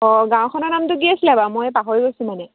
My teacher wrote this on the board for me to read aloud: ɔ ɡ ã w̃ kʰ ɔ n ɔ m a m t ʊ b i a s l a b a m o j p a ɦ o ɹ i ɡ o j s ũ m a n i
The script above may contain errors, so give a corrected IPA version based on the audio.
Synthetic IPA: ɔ ɡ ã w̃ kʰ ɔ n ɔ n a m t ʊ ɡ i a s l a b a m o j p a ɦ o ɹ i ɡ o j s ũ m a n ɛ